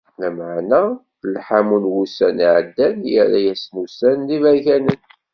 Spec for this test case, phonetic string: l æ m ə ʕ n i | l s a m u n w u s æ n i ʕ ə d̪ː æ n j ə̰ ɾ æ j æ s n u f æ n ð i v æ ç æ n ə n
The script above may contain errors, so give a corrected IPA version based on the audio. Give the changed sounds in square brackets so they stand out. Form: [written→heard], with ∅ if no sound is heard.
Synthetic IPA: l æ m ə ʕ n [i→æ] | l [s→ħ] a m u n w u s æ n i ʕ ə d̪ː æ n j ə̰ ɾ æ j æ s n u [f→s] æ n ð i v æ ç æ n ə n